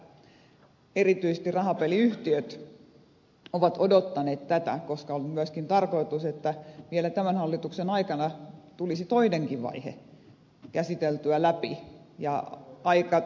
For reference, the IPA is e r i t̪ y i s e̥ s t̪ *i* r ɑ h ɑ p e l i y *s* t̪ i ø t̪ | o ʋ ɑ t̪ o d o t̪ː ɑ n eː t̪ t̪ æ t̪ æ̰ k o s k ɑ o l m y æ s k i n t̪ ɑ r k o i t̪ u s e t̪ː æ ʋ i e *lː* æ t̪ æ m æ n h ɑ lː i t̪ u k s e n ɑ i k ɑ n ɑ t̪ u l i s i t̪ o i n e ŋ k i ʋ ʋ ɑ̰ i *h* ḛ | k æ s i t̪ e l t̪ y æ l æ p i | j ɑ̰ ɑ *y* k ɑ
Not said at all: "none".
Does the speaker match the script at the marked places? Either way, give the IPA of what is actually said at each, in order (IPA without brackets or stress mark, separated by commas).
i, h, l, h, i